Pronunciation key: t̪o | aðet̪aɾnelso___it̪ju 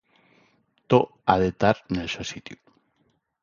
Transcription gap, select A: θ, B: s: B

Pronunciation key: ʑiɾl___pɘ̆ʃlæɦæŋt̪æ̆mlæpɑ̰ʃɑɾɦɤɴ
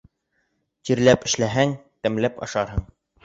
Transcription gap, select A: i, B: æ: B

